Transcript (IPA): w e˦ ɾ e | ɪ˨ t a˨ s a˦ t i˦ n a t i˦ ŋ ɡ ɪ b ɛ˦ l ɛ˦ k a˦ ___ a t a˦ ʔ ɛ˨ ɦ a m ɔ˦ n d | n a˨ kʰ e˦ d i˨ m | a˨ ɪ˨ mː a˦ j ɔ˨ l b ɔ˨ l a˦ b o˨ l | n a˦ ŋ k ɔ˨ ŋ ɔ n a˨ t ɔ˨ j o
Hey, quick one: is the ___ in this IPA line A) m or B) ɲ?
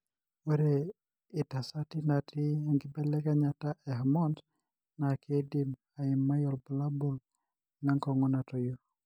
B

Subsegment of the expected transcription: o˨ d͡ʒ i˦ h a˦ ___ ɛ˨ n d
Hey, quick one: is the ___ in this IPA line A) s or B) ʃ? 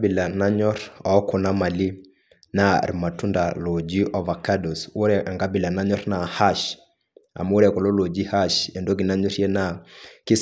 B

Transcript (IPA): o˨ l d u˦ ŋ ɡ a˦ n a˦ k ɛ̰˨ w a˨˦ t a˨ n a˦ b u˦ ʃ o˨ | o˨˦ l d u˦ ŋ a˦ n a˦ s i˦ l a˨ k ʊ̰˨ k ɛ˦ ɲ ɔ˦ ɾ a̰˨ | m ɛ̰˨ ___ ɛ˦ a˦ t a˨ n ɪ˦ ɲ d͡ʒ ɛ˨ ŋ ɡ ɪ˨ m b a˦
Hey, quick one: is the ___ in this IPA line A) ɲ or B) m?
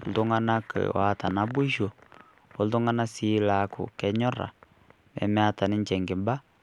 B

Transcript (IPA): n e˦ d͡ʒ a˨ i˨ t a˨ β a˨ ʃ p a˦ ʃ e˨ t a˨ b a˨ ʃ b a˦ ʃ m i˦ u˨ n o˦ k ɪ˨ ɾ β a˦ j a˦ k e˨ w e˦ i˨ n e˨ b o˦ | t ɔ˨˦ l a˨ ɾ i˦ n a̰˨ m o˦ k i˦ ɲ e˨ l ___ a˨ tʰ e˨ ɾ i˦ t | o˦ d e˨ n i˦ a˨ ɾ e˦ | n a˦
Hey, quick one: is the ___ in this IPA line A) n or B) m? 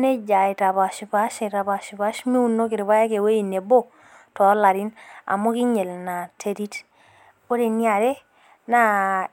A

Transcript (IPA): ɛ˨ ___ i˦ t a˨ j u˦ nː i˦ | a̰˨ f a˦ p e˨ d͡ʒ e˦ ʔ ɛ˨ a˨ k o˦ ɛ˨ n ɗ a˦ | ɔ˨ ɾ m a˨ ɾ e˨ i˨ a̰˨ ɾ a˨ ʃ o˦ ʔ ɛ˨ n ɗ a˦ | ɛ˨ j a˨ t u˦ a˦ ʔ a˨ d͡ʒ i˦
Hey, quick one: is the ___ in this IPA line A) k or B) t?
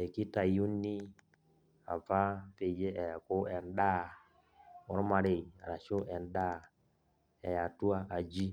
A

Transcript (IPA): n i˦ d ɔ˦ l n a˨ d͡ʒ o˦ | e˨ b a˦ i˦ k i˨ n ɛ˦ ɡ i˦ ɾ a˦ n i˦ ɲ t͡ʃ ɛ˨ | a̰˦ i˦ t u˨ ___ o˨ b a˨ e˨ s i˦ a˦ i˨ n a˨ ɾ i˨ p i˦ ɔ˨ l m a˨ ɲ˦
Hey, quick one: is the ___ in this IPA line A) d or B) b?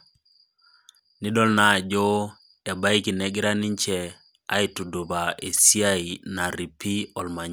A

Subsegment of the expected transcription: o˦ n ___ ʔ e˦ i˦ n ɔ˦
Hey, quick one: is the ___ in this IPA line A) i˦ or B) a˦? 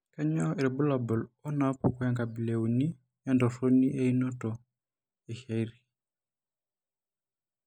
A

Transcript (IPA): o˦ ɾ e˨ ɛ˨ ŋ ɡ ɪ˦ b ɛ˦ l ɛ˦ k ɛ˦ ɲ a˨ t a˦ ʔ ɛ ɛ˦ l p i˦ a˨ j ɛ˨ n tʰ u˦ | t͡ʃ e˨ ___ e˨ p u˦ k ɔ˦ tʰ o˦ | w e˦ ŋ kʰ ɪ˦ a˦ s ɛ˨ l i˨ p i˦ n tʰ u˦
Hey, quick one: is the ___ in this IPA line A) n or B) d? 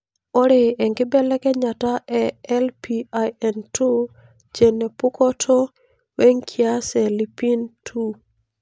A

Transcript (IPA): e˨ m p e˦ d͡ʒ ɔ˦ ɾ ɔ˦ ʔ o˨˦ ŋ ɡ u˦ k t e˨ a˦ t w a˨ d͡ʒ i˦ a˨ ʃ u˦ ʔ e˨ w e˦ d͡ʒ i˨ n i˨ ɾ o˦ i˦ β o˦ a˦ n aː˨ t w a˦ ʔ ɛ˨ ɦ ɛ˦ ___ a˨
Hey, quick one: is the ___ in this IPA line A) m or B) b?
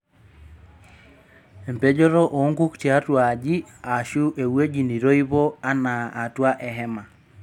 A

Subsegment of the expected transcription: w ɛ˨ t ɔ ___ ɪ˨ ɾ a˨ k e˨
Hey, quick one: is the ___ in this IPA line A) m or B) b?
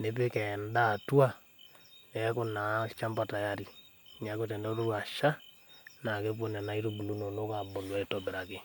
B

